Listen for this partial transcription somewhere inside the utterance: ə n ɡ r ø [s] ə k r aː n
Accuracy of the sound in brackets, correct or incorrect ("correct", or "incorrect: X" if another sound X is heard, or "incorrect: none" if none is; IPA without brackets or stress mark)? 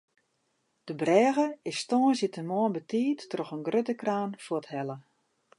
incorrect: t